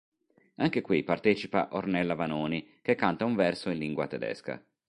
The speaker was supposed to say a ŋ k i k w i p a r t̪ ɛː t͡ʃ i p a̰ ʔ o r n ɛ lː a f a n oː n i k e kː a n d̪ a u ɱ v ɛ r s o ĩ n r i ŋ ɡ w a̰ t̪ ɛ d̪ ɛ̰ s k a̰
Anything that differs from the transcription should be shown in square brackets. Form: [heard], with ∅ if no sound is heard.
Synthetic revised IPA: a ŋ k [e] k w i p a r t̪ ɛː t͡ʃ i p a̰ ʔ o r n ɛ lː a [v] a n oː n i k e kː a n [t̪] a u ɱ v ɛ r s o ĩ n [l] i ŋ ɡ w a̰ t̪ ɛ d̪ ɛ̰ s k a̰